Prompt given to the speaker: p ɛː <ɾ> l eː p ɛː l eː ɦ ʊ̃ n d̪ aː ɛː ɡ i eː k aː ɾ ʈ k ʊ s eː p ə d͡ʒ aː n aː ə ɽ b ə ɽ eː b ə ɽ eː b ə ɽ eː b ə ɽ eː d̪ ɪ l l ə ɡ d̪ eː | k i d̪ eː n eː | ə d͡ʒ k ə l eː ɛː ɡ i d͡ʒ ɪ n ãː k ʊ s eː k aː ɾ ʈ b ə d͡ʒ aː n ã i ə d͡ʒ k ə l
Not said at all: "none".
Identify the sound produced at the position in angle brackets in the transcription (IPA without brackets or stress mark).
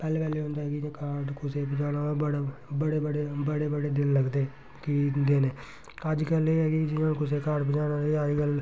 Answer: none